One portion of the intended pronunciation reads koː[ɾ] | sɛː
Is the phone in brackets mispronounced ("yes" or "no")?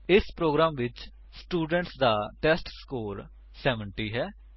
no